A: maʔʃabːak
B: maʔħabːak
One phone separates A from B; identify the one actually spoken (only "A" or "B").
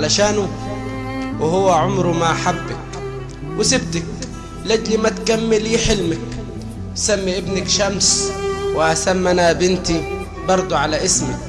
B